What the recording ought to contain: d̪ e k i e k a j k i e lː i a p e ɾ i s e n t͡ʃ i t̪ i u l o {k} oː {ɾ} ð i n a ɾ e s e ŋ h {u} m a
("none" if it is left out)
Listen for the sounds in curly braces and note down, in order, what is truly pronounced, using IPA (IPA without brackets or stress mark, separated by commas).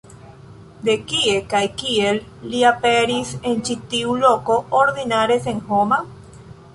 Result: k, ɾ, o